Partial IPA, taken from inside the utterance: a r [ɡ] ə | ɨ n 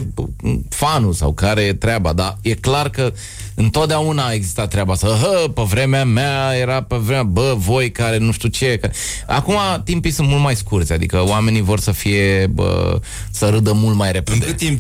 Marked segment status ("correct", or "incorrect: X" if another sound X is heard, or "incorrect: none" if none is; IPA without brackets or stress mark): incorrect: k